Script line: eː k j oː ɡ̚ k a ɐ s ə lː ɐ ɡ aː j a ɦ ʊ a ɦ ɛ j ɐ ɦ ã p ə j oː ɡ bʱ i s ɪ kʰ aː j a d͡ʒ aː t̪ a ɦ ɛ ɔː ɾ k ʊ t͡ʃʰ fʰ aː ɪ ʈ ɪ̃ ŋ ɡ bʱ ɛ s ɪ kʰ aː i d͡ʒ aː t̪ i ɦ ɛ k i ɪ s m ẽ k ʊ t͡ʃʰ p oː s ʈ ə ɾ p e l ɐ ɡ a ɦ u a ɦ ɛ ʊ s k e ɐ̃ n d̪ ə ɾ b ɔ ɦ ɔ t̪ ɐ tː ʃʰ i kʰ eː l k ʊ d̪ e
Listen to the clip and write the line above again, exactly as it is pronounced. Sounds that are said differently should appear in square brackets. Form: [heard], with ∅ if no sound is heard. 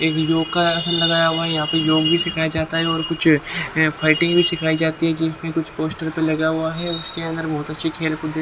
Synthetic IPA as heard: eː k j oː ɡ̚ k a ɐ s ə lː ɐ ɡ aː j a ɦ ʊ a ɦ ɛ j ɐ ɦ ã p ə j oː ɡ bʱ i s ɪ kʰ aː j a d͡ʒ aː t̪ a ɦ ɛ ɔː ɾ k ʊ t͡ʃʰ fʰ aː ɪ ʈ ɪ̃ ŋ ɡ bʱ [i] s ɪ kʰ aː i d͡ʒ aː t̪ i ɦ ɛ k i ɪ s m ẽ k ʊ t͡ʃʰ p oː s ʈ ə ɾ p e l ɐ ɡ a ɦ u a ɦ ɛ ʊ s k e ɐ̃ n d̪ ə ɾ b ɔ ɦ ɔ t̪ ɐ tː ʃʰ i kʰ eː l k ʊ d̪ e